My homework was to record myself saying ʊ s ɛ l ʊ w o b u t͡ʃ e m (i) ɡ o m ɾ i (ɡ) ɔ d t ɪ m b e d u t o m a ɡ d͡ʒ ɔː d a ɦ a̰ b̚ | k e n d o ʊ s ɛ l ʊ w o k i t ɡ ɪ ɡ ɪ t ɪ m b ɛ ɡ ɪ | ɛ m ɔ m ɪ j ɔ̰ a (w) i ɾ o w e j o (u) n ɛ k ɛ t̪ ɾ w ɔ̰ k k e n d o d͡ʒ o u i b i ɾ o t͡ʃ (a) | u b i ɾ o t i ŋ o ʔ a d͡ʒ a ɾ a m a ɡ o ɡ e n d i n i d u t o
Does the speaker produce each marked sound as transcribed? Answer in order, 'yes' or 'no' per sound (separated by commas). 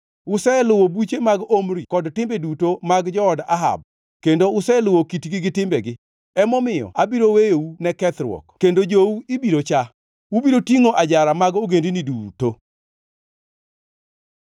no, no, no, yes, yes